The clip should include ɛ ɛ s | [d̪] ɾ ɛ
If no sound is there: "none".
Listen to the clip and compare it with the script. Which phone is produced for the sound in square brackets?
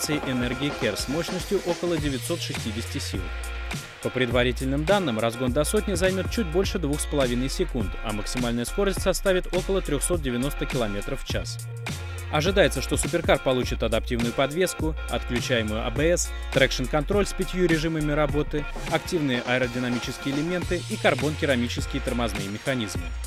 t̪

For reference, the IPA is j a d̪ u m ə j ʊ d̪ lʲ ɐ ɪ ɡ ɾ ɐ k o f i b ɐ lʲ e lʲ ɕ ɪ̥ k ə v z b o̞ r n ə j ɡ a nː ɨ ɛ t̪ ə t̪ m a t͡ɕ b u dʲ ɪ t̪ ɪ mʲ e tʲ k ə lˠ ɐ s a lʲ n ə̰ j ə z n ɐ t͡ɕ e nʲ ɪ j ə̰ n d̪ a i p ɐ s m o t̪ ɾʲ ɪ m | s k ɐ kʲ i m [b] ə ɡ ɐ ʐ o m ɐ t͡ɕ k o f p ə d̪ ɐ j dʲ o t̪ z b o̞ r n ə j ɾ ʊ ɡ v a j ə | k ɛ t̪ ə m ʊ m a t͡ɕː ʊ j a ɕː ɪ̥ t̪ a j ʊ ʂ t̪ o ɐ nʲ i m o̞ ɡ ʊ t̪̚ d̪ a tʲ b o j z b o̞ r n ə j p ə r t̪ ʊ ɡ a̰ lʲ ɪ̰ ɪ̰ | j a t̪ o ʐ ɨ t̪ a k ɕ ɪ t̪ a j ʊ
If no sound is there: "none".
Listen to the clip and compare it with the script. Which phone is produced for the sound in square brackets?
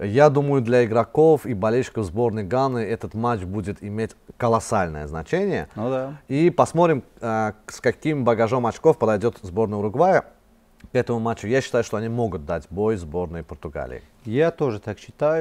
b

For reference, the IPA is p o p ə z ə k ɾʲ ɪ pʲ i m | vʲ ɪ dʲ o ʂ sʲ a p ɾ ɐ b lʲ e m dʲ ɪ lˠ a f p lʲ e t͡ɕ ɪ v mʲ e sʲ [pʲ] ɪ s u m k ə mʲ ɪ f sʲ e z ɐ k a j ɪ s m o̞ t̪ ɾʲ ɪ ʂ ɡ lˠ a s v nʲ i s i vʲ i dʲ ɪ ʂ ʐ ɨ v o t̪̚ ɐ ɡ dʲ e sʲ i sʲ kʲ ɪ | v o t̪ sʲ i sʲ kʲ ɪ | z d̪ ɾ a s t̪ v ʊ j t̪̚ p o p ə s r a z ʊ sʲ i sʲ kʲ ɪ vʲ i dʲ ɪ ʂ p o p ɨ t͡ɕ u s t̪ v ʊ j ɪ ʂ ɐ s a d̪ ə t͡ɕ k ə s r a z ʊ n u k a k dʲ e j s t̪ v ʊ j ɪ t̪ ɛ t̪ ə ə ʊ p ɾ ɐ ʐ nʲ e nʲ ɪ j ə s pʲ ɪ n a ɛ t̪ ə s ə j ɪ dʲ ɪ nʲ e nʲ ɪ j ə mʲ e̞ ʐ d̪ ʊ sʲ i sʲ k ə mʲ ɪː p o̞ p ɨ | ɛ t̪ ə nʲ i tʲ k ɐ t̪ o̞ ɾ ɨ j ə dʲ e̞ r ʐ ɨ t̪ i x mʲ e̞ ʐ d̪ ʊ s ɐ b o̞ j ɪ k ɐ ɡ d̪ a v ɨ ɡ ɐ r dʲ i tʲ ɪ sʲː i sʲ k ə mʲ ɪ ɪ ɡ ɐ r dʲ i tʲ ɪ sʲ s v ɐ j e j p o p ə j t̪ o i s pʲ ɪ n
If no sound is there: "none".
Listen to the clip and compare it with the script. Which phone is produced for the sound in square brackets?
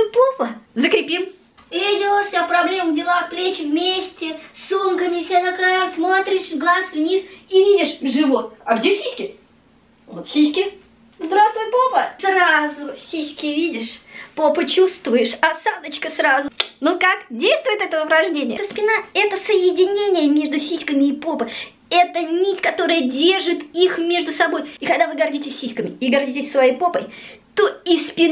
tʲ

